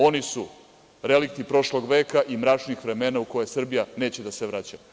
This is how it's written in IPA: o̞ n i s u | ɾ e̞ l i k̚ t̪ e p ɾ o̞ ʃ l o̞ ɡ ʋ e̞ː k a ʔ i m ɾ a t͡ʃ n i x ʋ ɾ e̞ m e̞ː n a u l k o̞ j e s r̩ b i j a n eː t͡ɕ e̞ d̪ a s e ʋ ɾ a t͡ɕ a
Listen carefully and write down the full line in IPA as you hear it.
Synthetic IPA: o̞ n i s u | ɾ e̞ l i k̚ t̪ i p ɾ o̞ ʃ l o̞ ɡ ʋ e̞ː k a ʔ i m ɾ a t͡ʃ n i x ʋ ɾ e̞ m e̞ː n a u k o̞ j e s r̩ b i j a n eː t͡ɕ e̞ d̪ a s e ʋ ɾ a t͡ɕ a